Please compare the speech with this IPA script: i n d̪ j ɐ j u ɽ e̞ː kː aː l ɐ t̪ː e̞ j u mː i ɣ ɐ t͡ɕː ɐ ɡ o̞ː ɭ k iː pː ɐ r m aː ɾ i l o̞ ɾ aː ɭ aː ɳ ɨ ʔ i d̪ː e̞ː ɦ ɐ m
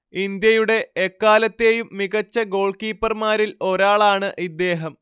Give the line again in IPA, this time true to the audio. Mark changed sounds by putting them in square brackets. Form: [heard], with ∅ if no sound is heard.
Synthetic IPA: i n d̪ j ɐ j u ɽ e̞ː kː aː l ɐ t̪ː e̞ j u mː i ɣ ɐ t͡ɕː ɐ ɡ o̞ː ɭ k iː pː ɐ r m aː ɾ i l o̞ ɾ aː ɭ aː ɳ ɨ ʔ i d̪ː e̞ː ɦ ɐ m